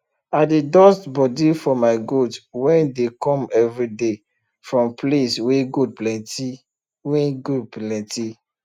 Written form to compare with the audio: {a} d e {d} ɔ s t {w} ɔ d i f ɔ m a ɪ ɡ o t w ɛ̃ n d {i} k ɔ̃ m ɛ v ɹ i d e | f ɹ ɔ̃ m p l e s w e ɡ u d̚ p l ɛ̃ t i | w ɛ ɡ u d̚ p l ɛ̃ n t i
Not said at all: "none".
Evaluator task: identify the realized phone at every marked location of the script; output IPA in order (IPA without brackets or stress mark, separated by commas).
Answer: a, d, b, e